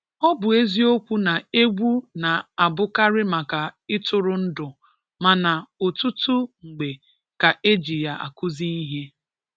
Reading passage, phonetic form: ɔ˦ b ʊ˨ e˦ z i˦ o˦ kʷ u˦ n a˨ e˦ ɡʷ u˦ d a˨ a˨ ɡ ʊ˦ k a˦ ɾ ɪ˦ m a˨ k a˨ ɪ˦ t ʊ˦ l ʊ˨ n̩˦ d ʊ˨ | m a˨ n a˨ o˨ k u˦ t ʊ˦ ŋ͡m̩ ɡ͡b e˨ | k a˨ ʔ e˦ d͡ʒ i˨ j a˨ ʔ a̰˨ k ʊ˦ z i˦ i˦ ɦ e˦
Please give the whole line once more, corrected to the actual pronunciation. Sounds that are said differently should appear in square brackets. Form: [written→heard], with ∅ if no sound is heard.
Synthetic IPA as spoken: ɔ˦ b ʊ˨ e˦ z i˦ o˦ kʷ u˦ n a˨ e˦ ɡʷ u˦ [d→n] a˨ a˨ [ɡ→b] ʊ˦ k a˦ ɾ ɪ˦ m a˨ k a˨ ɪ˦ t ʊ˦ [l→ɾ] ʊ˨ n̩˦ d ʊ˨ | m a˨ n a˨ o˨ [k→t] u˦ t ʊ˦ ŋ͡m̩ ɡ͡b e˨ | k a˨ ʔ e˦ d͡ʒ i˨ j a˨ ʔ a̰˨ k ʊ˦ z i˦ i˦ ɦ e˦

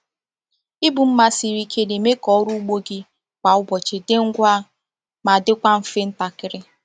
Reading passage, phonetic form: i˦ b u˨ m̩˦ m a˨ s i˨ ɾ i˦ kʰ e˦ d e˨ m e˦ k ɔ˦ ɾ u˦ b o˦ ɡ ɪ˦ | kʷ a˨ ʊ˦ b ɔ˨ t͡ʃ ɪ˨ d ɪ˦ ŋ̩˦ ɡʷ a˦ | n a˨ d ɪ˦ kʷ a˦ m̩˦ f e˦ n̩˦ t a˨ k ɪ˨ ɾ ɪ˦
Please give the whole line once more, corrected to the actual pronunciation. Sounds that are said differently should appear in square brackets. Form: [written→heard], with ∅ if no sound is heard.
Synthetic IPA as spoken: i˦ b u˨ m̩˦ m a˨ s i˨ ɾ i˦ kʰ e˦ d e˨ m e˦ k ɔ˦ ɾ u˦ [b→ɡ͡b] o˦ ɡ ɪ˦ | kʷ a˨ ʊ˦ b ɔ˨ t͡ʃ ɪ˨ d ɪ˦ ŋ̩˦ ɡʷ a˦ | [n→m] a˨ d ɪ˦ kʷ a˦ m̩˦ f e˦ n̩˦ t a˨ k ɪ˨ ɾ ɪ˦

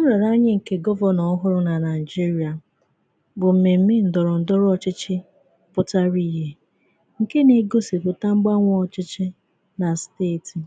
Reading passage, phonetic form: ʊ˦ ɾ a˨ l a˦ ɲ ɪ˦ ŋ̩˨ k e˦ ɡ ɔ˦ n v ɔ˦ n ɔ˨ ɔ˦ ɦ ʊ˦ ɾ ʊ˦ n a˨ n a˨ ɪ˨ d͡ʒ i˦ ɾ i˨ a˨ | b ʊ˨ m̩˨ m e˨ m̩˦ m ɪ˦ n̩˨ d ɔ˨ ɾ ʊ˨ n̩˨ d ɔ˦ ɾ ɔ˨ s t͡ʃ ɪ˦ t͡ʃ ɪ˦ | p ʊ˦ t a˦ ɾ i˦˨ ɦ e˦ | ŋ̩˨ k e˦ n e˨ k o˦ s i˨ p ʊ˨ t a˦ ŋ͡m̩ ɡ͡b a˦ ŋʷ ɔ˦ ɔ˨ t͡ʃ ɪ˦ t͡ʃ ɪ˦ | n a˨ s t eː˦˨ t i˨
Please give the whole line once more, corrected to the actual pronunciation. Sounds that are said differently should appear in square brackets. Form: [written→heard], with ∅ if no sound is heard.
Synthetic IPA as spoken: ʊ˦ ɾ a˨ [l→ɾ] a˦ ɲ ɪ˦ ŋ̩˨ k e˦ ɡ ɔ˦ [n→∅] v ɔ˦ n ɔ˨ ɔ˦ ɦ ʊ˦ ɾ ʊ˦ n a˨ n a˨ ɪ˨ d͡ʒ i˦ ɾ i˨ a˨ | b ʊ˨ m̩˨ m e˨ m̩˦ m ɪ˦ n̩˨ d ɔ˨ ɾ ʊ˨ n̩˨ d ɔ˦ ɾ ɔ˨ [s→∅] t͡ʃ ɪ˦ t͡ʃ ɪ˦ | p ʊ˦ t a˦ ɾ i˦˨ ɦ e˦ | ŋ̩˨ k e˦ n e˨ [k→ɡ] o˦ s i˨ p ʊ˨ t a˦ ŋ͡m̩ ɡ͡b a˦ ŋʷ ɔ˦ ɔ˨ t͡ʃ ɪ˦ t͡ʃ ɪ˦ | n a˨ s t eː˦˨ t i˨

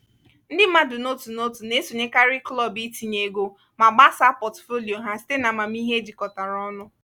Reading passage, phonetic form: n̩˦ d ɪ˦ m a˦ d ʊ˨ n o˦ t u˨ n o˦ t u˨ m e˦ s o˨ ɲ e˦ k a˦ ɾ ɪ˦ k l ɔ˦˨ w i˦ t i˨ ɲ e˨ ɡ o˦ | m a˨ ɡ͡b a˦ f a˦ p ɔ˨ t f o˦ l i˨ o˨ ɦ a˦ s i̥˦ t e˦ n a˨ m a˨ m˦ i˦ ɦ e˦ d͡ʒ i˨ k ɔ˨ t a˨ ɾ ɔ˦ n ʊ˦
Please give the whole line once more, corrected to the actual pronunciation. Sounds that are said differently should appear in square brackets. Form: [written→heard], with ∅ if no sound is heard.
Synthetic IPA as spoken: n̩˦ d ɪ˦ m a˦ d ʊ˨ n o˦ t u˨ n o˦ t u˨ [m→n] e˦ s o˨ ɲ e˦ k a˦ ɾ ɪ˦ k l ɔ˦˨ [w→b] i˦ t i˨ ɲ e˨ ɡ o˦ | m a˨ ɡ͡b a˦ [f→s] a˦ p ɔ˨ t f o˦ l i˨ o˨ ɦ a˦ s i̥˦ t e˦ n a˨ m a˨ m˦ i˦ ɦ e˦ d͡ʒ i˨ k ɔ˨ t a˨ ɾ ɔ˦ n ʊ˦

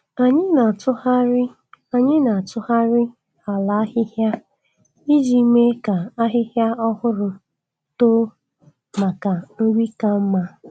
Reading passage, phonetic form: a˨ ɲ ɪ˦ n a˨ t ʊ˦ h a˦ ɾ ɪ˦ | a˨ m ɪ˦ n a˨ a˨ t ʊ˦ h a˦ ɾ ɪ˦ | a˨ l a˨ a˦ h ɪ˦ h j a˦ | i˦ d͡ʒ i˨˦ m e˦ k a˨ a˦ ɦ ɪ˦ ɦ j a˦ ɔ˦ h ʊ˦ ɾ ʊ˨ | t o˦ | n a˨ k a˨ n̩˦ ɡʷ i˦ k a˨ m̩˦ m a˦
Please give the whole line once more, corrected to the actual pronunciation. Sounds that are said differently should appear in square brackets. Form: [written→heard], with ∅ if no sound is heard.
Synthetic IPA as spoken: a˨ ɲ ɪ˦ n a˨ t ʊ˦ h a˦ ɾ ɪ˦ | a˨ [m→ɲ] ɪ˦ n a˨ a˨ t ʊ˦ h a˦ ɾ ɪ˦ | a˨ l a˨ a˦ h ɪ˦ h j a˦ | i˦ d͡ʒ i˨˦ m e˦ k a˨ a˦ ɦ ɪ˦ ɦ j a˦ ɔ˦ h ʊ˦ ɾ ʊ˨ | t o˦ | [n→m] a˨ k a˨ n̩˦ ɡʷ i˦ k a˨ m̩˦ m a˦

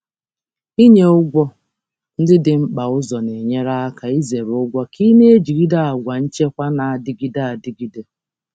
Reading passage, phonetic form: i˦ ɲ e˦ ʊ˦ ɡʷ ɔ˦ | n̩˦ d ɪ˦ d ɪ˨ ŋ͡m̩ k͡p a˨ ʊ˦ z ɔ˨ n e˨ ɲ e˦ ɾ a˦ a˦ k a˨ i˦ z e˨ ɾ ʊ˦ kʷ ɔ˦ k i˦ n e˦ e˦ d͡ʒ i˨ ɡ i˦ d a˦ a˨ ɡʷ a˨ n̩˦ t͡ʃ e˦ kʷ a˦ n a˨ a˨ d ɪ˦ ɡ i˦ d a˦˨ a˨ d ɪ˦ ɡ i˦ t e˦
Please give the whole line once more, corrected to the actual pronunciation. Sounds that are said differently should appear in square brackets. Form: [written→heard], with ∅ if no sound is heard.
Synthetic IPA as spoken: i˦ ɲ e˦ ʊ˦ ɡʷ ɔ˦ | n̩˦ d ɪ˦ d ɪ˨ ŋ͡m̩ k͡p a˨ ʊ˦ z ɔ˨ n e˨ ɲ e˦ ɾ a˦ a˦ k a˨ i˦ z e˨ ɾ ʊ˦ [kʷ→ɡʷ] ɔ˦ k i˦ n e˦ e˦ d͡ʒ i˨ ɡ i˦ d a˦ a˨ ɡʷ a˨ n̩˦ t͡ʃ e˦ kʷ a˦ n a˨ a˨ d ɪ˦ ɡ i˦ d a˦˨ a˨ d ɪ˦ ɡ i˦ [t→d] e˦

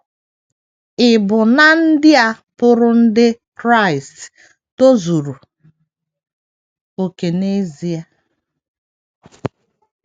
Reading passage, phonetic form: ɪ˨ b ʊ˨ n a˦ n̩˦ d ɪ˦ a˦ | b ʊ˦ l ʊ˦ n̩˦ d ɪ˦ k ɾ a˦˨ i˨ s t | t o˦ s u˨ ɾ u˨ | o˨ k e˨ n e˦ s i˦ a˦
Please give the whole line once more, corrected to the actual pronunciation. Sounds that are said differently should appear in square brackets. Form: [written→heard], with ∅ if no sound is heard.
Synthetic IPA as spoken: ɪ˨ b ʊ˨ n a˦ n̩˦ d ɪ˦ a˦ | [b→p] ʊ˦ [l→ɾ] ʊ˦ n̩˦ d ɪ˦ k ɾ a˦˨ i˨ s t | t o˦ [s→z] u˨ ɾ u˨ | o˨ k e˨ n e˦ [s→z] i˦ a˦

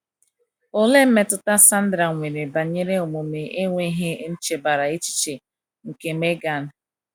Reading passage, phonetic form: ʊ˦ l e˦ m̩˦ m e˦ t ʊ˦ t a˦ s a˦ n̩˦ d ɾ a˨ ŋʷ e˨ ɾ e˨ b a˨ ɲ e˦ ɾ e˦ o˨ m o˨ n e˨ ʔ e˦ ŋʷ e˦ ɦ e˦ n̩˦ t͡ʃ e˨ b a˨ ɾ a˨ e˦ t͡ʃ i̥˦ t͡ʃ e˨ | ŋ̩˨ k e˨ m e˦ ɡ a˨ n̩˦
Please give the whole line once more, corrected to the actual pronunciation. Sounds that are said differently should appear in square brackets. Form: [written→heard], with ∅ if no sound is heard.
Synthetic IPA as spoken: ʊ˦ l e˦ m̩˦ m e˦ t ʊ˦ t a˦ s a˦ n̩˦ d ɾ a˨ ŋʷ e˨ ɾ e˨ b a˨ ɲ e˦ ɾ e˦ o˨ m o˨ [n→m] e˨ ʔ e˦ ŋʷ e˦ ɦ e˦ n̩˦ t͡ʃ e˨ b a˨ ɾ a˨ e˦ t͡ʃ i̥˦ t͡ʃ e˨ | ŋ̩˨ k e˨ m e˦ ɡ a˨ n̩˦

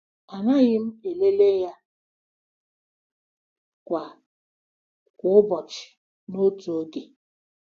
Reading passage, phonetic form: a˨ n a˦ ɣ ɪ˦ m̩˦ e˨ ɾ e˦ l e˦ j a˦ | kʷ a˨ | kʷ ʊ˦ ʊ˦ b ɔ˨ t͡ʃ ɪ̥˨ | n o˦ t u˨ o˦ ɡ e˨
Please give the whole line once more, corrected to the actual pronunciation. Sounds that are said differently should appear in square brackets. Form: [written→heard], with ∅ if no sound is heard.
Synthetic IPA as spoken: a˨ n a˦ ɣ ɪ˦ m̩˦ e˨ [ɾ→l] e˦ l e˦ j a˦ | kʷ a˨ | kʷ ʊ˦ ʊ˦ b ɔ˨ t͡ʃ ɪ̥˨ | n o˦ t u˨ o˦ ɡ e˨

